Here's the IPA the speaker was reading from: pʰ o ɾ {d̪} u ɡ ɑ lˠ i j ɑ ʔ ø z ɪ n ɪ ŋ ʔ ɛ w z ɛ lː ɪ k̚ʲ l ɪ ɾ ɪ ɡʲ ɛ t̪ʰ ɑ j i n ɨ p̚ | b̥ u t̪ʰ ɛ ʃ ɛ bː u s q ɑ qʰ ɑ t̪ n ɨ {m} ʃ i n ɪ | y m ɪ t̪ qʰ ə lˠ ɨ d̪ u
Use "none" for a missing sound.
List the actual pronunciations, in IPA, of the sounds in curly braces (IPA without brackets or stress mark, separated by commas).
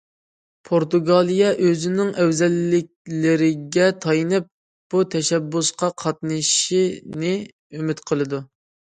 t̪, none